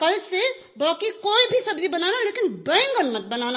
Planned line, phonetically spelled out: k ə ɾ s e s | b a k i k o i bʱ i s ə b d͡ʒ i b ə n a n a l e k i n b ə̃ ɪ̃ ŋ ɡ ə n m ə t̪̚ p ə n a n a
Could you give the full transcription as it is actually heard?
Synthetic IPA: k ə l s e | b a k i k o i bʱ i s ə b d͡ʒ i b ə n a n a l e k i n b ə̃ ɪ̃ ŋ ɡ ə n m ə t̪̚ b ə n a n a